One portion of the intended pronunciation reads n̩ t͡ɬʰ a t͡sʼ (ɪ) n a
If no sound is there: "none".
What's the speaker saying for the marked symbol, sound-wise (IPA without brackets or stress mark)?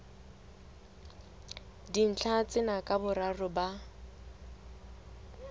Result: ɪ